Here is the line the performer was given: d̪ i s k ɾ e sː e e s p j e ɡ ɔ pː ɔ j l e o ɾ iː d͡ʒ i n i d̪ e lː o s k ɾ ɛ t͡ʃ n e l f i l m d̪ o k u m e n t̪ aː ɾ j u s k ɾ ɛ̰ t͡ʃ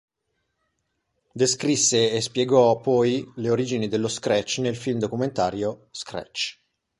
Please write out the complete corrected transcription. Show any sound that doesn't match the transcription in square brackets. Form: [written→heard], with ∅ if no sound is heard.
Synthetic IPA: d̪ [i→e] s k ɾ [e→i] sː e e s p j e ɡ ɔ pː ɔ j l e o ɾ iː d͡ʒ i n i d̪ e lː o s k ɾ ɛ t͡ʃ n e l f i l m d̪ o k u m e n t̪ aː ɾ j [u→o] s k ɾ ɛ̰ t͡ʃ